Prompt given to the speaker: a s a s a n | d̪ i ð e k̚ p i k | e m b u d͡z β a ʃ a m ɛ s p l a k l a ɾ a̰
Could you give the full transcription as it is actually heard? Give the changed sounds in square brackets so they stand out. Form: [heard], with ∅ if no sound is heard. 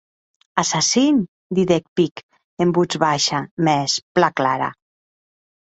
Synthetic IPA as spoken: a s a s [i] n | d̪ i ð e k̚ p i k | e m b u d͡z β a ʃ a m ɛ s p l a k l a ɾ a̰